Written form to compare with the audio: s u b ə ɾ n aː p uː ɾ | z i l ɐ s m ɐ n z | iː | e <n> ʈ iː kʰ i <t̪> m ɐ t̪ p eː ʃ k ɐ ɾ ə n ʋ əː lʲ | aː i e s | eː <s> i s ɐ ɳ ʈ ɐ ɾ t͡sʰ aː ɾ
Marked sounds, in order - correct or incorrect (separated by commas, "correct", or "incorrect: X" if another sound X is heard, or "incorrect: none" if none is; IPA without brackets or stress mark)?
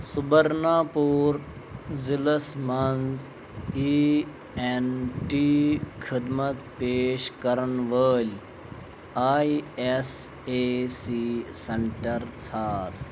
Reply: correct, incorrect: d̪, correct